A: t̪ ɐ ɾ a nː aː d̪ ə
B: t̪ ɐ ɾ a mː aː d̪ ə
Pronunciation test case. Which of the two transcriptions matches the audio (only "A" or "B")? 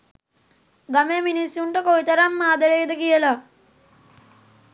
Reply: B